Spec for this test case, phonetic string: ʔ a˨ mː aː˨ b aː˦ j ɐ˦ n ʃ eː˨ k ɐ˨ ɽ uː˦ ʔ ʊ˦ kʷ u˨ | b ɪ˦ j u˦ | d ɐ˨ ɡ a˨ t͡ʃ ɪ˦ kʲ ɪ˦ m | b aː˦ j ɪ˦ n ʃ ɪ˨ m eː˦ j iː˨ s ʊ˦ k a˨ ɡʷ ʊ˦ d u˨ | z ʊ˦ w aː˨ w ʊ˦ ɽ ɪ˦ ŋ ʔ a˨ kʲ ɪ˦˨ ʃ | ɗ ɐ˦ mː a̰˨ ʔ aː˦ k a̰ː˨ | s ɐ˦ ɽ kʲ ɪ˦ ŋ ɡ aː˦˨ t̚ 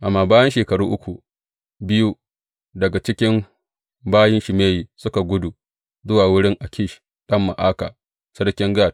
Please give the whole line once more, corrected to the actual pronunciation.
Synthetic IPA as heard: ʔ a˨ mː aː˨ b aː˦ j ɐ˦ n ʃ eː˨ k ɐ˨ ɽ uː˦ ʔ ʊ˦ kʷ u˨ | b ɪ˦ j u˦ | d ɐ˨ ɡ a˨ t͡ʃ ɪ˦ kʲ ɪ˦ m | b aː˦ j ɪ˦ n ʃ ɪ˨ m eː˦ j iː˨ s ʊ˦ k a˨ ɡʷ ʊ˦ d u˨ | z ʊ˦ w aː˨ w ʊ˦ ɽ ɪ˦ ŋ ʔ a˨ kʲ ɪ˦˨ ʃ | ɗ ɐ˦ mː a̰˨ ʔ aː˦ k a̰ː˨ | s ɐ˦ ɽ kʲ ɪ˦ ŋ ɡ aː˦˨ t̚